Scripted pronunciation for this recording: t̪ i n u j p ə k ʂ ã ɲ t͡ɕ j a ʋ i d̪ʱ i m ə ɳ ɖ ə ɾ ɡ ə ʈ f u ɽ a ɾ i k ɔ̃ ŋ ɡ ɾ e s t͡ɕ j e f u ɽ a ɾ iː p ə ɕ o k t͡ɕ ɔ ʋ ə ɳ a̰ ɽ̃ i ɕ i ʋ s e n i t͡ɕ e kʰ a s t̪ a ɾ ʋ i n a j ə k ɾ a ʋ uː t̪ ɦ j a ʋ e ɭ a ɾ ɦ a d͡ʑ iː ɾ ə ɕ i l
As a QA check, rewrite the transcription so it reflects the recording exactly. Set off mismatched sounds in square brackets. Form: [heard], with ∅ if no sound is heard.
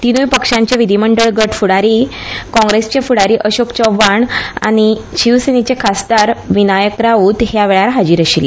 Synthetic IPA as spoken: t̪ i n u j p ə k ʂ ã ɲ t͡ɕ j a ʋ i d̪ʱ i m ə ɳ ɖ ə [ɭ] ɡ ə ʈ f u ɽ a ɾ i k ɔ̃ ŋ ɡ ɾ e s t͡ɕ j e f u ɽ a ɾ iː [ʔ] ə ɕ o k t͡ɕ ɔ ʋ [a] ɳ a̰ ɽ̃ i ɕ i ʋ s e n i t͡ɕ e kʰ a s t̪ a ɾ ʋ i n a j ə k ɾ a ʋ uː t̪ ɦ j a ʋ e ɭ a ɾ ɦ a d͡ʑ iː ɾ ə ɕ i l